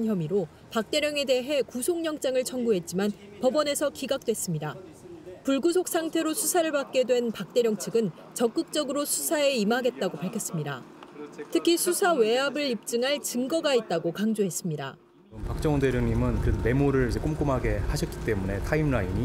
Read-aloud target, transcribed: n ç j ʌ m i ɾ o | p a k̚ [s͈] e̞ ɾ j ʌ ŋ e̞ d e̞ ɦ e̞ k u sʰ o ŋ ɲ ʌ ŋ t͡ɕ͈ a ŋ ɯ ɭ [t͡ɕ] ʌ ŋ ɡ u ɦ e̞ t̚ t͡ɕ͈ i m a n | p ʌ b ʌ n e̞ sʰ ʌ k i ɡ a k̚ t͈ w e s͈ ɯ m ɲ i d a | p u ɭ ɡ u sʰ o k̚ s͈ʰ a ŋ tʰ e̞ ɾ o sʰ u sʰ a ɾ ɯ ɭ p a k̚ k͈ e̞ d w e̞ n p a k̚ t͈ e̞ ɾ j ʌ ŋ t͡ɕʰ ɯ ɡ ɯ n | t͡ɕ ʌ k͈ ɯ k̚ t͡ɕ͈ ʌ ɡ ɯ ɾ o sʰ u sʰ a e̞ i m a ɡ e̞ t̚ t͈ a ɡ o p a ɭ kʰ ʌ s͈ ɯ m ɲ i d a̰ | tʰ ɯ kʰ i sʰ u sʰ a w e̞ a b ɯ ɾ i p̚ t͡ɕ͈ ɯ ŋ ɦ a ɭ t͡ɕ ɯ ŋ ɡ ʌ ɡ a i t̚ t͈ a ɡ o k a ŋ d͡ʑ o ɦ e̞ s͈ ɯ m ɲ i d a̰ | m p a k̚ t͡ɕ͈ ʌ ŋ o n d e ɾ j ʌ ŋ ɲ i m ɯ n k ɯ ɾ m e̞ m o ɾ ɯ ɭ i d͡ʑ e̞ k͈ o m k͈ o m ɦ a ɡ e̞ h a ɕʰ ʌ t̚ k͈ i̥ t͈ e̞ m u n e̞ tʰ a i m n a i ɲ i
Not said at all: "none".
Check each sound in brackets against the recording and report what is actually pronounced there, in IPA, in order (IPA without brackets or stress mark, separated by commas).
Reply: t͈, t͡ɕʰ